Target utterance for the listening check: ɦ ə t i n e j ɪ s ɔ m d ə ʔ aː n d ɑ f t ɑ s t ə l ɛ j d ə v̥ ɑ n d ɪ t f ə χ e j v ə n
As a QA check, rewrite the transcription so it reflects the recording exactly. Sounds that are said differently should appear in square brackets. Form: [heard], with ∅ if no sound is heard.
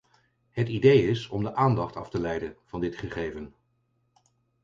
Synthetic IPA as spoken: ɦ ə t i [d] e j ɪ s ɔ m d ə ʔ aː n d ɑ [χ] t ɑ [f] t ə l ɛ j d ə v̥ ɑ n d ɪ t [χ] ə χ e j v ə n